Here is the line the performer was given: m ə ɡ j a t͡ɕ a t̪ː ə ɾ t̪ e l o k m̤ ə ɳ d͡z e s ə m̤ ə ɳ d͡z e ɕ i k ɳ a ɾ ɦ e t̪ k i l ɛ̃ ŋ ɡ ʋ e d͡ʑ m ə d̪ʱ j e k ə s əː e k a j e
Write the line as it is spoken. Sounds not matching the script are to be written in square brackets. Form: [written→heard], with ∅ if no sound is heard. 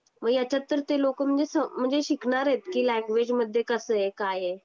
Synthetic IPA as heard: m ə ɡ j a t͡ɕ a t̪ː ə ɾ t̪ e l o k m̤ ə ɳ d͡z e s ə m̤ ə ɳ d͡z e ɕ i k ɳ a ɾ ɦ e t̪ k i l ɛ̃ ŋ ɡ ʋ e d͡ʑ m ə d̪ʱ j e k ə s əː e k a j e